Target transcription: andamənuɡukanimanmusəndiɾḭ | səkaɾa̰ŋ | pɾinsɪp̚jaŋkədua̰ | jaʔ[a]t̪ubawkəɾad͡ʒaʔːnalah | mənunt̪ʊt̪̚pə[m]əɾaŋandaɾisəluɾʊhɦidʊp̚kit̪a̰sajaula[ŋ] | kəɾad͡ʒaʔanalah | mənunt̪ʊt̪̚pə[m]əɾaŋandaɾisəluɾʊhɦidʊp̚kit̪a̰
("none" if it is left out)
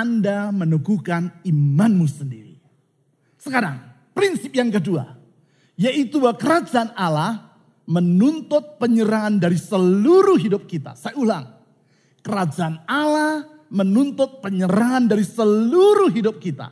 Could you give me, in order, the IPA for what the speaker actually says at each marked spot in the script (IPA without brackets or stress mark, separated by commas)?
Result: i, ɲ, ŋ, ɲ